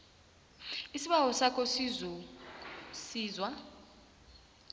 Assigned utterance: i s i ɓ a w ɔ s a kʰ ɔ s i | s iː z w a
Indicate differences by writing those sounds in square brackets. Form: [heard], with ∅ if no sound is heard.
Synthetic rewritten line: i s i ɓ a w ɔ s a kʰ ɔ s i | s iː z w a